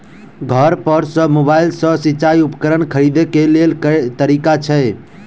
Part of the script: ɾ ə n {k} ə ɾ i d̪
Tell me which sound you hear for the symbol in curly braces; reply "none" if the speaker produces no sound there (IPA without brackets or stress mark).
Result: kʰ